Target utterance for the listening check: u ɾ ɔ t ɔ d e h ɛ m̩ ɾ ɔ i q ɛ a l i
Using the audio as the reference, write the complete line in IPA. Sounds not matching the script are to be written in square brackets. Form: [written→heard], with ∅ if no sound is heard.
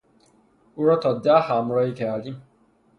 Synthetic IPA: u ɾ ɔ t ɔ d [e→a] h [ɛ→a] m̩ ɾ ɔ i [q→k] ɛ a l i